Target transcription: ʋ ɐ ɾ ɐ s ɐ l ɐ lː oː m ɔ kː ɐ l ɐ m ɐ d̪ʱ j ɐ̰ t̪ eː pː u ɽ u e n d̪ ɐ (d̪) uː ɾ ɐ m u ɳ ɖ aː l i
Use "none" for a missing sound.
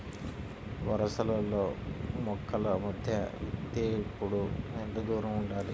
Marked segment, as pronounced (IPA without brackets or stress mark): d̪